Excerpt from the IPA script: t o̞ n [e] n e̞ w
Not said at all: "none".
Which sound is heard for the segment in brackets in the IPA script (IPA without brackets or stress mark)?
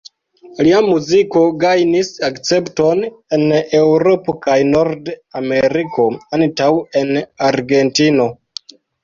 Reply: e